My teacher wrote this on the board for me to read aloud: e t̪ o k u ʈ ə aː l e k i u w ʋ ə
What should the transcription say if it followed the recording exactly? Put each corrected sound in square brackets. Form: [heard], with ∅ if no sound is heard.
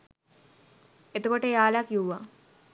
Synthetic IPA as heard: e t̪ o k [o] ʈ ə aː l [a] k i u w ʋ [a]